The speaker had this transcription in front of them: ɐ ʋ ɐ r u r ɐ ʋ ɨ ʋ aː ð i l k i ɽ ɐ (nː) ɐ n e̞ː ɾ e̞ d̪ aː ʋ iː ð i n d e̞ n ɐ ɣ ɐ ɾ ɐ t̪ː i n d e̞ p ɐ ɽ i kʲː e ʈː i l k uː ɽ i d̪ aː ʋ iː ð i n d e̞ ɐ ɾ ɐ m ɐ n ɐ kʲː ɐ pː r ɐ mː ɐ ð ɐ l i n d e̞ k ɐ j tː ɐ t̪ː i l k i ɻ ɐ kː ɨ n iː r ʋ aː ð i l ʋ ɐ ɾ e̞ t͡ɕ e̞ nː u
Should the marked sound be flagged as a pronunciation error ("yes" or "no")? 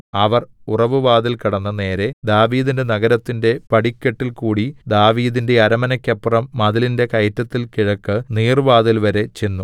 no